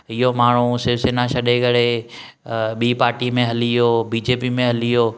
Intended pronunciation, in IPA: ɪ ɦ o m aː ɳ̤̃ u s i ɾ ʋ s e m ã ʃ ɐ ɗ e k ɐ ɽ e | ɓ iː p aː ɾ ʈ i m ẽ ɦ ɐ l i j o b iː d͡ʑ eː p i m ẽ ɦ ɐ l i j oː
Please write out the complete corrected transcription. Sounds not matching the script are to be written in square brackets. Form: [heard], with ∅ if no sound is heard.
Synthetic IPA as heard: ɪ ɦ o m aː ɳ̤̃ u s [ɪ] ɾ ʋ s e [n] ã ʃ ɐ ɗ e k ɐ ɽ e | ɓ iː p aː ɾ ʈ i m ẽ ɦ ɐ l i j o b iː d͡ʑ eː p i m ẽ ɦ ɐ l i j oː